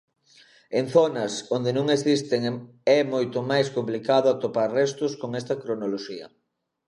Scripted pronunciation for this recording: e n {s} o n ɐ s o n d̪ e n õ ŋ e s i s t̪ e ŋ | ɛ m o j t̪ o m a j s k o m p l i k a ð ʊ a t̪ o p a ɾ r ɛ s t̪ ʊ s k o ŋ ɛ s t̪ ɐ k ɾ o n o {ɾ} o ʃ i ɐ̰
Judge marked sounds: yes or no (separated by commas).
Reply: no, no